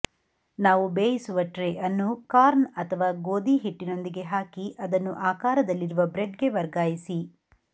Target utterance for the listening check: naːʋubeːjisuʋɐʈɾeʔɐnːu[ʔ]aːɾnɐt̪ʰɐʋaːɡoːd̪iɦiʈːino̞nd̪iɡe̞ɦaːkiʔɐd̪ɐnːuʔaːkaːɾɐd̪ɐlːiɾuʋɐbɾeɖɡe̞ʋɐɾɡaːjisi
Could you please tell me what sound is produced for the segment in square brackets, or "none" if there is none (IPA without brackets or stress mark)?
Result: k